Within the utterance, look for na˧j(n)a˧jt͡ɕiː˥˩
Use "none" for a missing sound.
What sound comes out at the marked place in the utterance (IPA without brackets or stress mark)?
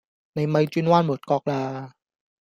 m